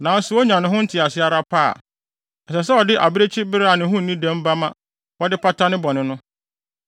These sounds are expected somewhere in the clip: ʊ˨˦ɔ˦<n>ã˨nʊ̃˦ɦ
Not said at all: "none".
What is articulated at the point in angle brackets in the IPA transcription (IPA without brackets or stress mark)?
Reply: ɲ